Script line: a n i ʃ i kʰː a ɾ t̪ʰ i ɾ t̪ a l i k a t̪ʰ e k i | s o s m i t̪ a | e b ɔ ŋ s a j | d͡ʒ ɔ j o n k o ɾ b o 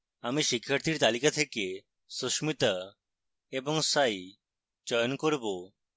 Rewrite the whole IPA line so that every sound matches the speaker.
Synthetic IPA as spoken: a m i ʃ i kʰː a ɾ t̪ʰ i ɾ t̪ a l i k a t̪ʰ e k e | s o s m i t̪ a | e b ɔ ŋ s a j | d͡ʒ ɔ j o n k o ɾ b o